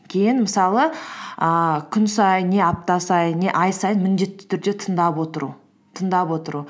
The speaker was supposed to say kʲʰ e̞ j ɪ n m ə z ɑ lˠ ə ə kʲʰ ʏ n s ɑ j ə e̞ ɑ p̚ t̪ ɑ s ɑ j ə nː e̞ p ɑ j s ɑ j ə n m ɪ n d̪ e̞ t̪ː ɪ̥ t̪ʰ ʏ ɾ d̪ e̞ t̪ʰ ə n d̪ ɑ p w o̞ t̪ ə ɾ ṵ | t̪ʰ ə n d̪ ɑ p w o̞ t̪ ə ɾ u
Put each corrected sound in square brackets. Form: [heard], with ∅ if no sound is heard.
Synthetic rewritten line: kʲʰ e̞ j ɪ n m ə [s] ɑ lˠ ə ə kʲʰ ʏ n s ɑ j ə e̞ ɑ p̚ t̪ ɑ s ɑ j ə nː e̞ [ʔ] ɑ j s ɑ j ə n m ɪ n d̪ e̞ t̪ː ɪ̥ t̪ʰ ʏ ɾ d̪ e̞ t̪ʰ ə n d̪ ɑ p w o̞ t̪ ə ɾ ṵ | t̪ʰ ə n d̪ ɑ p w o̞ t̪ ə ɾ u